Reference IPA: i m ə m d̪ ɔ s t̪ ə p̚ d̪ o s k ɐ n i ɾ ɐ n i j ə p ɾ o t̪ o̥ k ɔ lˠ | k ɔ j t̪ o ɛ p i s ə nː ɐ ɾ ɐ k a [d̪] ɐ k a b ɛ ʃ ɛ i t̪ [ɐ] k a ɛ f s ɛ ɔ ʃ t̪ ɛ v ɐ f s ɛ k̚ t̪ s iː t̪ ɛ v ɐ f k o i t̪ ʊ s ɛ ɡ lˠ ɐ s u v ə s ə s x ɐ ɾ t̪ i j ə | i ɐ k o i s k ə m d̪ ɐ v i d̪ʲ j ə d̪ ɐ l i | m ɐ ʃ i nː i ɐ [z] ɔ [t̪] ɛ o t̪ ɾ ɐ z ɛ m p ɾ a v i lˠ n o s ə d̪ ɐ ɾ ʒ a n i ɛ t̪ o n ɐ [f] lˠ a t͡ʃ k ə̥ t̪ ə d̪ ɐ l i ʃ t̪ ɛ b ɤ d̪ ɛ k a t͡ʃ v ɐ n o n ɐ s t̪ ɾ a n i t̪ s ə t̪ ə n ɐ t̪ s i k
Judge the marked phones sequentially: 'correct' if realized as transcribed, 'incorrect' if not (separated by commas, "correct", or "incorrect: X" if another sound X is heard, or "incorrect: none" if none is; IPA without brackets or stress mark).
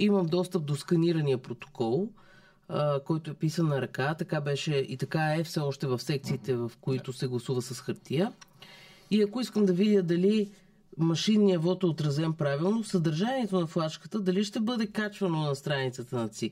incorrect: t̪, correct, incorrect: v, correct, correct